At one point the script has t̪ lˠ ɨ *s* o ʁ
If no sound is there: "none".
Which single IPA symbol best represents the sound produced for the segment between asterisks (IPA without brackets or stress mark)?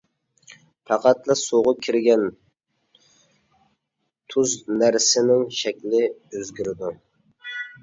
s